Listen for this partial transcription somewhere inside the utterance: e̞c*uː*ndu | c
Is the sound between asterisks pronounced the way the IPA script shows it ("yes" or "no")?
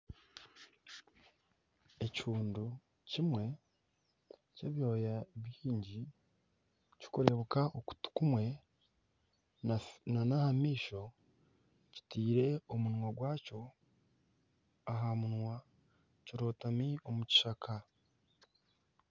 yes